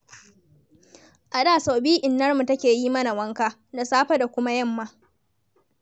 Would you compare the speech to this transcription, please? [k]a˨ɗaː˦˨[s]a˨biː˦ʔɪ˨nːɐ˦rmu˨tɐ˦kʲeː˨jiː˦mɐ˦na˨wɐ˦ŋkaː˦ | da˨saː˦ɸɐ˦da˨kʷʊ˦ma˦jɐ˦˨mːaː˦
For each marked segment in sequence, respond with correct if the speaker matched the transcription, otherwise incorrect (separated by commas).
incorrect, correct